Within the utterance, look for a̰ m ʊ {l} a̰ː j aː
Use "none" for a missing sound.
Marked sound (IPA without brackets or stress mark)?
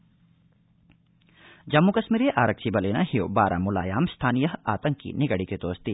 l